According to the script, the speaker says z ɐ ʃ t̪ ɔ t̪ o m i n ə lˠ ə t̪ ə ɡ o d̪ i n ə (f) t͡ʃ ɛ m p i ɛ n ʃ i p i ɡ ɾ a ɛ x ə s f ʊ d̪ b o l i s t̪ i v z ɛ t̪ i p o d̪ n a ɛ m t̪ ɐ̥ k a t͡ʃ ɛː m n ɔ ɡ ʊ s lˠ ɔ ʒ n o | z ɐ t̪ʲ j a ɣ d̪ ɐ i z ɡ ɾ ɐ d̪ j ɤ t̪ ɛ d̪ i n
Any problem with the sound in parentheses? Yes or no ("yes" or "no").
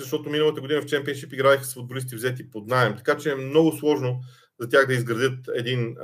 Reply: no